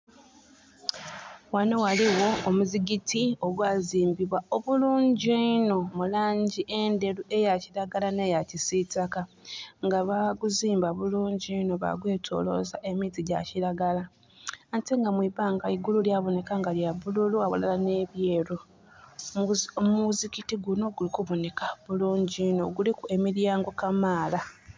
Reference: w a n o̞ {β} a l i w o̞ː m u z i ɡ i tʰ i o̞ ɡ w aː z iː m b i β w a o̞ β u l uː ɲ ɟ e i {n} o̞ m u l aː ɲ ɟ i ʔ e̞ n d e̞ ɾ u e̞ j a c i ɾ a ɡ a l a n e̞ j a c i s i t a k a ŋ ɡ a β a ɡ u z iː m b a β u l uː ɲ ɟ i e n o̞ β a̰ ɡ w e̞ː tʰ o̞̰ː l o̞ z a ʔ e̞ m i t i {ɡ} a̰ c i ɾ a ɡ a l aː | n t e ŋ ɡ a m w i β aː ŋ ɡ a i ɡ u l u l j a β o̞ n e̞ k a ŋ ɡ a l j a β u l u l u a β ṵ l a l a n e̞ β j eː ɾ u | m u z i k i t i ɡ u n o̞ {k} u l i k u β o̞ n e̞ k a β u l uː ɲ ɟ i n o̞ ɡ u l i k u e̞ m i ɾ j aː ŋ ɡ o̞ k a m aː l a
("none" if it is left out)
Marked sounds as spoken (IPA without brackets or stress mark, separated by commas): w, n, ɟ, ɡ